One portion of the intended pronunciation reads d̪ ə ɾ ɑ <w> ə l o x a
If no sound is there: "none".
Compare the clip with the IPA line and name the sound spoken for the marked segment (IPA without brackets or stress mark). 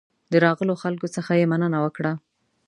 ɣ